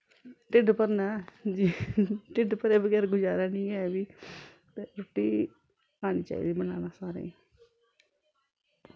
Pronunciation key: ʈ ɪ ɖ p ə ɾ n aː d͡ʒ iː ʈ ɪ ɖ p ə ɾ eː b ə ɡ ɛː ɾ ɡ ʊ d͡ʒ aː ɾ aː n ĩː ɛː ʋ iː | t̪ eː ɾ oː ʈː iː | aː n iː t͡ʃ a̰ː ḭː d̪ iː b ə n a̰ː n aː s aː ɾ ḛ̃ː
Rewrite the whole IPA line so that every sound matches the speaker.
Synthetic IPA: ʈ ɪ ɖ p ə ɾ n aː d͡ʒ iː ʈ ɪ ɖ p ə ɾ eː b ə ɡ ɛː ɾ ɡ ʊ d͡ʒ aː ɾ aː n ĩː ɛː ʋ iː | t̪ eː ɾ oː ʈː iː | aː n iː t͡ʃ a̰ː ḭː d̪ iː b ə n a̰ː n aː s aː ɾ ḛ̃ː